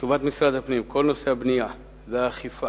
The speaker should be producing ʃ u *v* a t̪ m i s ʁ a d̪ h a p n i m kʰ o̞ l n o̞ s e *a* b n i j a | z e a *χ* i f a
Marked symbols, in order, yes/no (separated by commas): yes, yes, yes